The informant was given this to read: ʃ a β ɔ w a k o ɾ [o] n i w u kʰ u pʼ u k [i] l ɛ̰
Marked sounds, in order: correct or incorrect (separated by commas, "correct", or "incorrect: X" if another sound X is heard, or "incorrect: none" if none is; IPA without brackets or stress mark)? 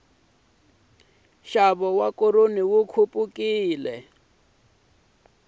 correct, incorrect: iː